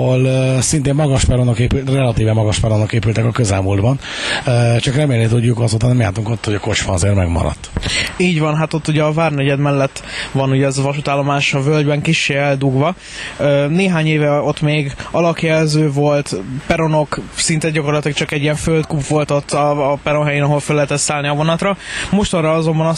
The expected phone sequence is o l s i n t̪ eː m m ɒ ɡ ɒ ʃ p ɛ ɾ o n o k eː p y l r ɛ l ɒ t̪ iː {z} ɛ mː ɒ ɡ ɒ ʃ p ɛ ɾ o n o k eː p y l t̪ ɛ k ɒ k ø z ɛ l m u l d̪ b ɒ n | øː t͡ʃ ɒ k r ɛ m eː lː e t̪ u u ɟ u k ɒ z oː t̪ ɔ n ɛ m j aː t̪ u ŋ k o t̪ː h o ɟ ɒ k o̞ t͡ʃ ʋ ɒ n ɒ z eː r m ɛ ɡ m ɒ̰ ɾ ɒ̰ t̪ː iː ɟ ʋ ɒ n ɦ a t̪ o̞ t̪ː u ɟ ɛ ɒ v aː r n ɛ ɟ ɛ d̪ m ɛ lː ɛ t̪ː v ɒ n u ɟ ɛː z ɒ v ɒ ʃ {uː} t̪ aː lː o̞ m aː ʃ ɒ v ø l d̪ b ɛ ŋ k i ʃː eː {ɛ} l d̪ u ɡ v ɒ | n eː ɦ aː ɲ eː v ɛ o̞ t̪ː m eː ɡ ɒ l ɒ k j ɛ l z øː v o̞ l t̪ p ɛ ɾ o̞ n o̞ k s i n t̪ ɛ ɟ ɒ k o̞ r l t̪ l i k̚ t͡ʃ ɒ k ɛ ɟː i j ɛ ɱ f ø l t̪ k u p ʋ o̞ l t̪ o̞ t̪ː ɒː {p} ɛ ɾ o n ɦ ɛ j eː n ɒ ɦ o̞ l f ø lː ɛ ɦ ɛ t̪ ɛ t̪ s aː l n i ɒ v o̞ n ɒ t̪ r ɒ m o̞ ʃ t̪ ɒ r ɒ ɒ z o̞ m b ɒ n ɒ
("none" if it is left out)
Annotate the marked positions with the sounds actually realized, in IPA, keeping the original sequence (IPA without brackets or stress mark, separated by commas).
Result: v, u, ɛ, p